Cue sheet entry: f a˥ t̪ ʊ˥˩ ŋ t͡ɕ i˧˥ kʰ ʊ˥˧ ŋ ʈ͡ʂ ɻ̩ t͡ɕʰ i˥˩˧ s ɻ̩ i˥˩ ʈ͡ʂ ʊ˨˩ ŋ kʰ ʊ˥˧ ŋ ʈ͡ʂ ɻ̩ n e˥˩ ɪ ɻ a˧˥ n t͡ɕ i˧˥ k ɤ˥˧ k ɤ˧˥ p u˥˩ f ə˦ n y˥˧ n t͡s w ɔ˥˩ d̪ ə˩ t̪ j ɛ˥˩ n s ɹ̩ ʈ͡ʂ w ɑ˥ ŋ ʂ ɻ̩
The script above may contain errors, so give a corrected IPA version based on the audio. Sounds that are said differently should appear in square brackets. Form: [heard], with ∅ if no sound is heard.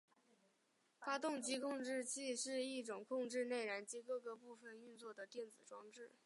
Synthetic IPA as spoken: f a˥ t̪ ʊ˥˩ ŋ t͡ɕ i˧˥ kʰ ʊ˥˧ ŋ ʈ͡ʂ ɻ̩ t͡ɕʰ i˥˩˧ [ʂ] ɻ̩ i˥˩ ʈ͡ʂ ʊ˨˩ ŋ kʰ ʊ˥˧ ŋ ʈ͡ʂ ɻ̩ n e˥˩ ɪ ɻ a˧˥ n t͡ɕ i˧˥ k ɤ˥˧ k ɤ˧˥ p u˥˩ f [ə˩] n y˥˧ n t͡s w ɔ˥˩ d̪ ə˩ t̪ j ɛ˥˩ n [t͡s] ɹ̩ ʈ͡ʂ w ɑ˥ ŋ [ʈ͡ʂ] ɻ̩

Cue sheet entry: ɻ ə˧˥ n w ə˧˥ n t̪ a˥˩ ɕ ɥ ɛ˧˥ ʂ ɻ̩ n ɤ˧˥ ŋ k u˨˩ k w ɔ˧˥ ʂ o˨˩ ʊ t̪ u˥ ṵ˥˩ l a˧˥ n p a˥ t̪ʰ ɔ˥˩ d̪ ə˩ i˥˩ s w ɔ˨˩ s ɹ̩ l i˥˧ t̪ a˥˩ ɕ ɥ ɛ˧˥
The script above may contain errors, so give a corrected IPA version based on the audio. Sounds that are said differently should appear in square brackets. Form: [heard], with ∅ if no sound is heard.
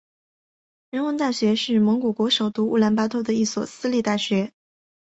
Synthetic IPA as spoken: ɻ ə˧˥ n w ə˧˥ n t̪ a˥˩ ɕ ɥ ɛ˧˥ ʂ ɻ̩ [m] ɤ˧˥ ŋ k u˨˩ k w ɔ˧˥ ʂ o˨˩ ʊ t̪ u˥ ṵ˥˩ l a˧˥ n p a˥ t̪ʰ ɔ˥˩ d̪ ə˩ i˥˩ s w ɔ˨˩ s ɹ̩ l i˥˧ t̪ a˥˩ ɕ ɥ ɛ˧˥

